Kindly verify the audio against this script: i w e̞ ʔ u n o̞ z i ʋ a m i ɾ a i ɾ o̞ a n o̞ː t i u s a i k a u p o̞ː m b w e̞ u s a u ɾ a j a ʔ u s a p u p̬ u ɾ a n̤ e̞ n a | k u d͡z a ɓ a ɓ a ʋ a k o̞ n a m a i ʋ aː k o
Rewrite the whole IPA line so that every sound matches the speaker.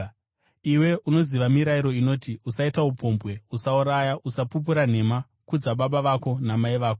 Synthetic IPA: i w e̞ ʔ u n o̞ z i ʋ a m i ɾ a i ɾ o̞ i n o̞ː t i u s a i t a u p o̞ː m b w e̞ u s a u ɾ a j a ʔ u s a p u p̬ u ɾ a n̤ e̞ m a | k u d͡z a ɓ a ɓ a ʋ a k o̞ n a m a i ʋ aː k o